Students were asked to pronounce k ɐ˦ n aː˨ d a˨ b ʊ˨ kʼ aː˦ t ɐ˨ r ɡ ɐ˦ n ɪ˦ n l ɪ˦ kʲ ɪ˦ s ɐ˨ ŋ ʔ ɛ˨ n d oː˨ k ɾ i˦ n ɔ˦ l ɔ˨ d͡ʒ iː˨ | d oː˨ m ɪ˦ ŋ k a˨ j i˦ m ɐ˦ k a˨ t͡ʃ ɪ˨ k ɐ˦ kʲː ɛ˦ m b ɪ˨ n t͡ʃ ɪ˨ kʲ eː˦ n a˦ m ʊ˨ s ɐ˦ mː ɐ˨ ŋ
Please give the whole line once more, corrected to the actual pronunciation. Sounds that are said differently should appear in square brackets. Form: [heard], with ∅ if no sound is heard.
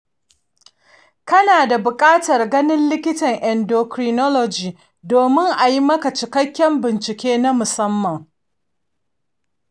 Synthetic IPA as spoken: k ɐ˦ n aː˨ d a˨ b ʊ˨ kʼ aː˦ t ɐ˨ r ɡ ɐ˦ n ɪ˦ n l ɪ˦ kʲ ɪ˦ [t] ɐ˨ ŋ ʔ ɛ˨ n d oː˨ k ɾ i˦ n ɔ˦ l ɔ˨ d͡ʒ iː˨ | d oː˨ m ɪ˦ ŋ [ʔ] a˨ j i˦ m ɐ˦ k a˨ t͡ʃ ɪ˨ k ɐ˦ kʲː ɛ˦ m b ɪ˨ n t͡ʃ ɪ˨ kʲ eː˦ n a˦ m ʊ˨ s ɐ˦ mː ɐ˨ ŋ